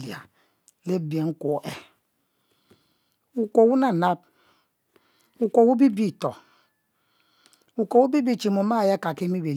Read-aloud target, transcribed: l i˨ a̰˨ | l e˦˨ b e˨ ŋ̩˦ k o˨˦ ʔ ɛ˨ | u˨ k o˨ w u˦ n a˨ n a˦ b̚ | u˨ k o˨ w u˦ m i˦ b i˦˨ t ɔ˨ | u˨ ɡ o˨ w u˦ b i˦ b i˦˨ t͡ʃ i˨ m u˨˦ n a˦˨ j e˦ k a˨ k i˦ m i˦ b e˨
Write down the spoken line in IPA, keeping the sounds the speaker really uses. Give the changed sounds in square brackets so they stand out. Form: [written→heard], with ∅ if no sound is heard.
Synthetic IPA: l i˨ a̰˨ | l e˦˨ b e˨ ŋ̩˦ k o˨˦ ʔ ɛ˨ | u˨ k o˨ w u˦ n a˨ n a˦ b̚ | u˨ k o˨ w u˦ [m→b] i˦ b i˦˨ t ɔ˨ | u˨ [ɡ→k] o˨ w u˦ b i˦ b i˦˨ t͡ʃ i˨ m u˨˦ [n→m] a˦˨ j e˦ k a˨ k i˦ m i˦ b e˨